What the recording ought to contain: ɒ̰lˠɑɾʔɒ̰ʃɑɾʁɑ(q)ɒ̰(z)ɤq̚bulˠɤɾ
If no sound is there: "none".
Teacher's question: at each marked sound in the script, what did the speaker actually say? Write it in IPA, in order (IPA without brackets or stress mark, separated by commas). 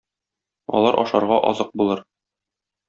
ʔ, z